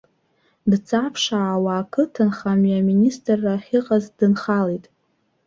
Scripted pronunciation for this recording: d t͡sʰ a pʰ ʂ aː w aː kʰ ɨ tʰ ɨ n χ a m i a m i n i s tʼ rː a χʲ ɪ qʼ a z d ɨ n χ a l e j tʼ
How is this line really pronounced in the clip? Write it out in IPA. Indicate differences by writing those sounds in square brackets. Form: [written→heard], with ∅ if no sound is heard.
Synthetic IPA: d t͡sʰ a pʰ ʂ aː w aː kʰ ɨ tʰ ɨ n χ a m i a m i n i s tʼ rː a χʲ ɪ qʼ a z d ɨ n χ a l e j tʼ